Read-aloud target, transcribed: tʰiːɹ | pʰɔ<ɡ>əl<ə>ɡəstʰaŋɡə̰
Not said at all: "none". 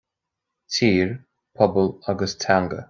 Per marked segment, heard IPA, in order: b, a

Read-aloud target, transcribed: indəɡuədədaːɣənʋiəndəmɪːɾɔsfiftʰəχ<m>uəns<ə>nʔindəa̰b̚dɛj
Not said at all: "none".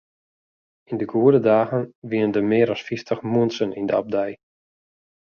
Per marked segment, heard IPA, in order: m, ə

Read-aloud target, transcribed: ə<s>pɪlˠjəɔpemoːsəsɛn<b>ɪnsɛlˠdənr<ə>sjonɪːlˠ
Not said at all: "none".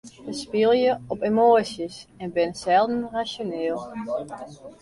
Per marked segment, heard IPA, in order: s, b, a

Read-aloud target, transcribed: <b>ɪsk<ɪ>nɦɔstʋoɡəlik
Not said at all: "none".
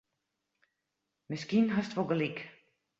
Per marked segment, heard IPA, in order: m, i

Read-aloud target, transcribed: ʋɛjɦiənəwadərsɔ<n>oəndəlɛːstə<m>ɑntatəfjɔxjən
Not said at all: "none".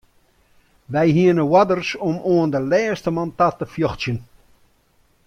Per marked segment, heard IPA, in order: m, m

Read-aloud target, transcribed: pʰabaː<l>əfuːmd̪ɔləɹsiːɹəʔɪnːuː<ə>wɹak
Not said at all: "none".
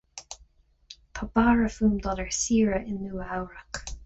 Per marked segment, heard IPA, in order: ɹ, a

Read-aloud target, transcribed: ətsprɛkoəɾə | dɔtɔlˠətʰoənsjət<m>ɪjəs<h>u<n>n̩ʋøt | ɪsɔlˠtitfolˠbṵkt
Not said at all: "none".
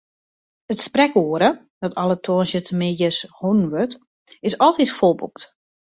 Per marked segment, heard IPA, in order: m, h, n

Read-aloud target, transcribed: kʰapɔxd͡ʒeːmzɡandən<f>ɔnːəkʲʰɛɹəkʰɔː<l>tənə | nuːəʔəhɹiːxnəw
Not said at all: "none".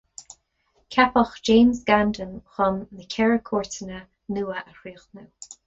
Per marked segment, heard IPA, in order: x, ɹ

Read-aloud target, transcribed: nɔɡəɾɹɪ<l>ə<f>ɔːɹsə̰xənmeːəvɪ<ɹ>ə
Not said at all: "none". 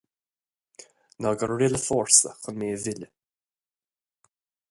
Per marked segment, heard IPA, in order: l, f, l

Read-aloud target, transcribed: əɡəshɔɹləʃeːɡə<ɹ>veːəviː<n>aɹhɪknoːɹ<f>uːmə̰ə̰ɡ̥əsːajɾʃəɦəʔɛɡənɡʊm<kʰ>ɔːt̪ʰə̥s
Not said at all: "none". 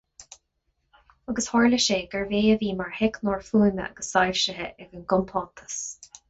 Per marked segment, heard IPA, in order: ɹ, m, f, pʰ

